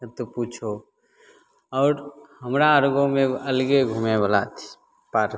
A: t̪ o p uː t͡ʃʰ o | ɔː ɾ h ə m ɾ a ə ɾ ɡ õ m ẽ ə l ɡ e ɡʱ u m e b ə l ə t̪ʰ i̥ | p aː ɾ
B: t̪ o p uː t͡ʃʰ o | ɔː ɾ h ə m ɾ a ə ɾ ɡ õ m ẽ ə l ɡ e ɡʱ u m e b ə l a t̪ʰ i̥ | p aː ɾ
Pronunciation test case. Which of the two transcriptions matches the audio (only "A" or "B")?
B